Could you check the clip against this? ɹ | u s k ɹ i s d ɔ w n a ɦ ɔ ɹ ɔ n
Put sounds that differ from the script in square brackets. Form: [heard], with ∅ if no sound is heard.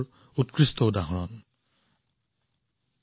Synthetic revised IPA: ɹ | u [t] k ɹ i s [t] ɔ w [d] a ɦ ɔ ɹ ɔ n